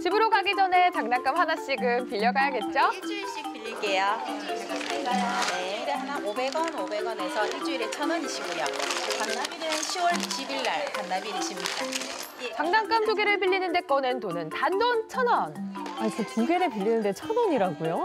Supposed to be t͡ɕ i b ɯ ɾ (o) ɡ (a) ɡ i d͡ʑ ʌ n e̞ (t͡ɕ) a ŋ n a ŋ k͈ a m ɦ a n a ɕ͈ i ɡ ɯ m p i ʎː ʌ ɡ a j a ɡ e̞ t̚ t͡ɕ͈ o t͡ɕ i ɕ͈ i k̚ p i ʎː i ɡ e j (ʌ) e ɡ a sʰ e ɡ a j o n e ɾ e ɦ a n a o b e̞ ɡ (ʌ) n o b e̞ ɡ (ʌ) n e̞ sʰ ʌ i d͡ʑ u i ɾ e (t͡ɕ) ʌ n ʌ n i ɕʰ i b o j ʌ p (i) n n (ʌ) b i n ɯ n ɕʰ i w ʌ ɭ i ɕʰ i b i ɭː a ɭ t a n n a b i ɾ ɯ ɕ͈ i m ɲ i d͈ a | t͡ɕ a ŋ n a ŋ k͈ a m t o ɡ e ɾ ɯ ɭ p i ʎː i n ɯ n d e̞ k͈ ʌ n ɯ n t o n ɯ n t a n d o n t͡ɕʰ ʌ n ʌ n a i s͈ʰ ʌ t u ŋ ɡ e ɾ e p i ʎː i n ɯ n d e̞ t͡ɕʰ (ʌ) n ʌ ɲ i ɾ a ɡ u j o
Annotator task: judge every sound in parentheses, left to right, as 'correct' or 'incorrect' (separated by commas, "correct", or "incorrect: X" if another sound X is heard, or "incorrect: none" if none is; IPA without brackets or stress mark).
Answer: correct, correct, correct, incorrect: a, correct, correct, incorrect: t͡ɕʰ, incorrect: a, incorrect: a, correct